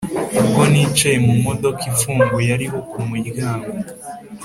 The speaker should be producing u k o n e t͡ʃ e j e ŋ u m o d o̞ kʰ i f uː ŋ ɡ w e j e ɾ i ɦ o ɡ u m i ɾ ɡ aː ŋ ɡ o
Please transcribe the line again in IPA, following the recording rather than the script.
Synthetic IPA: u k o n i t͡ʃ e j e m u m o d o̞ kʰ i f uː ŋ ɡ w e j a ɾ i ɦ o k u m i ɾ ɡ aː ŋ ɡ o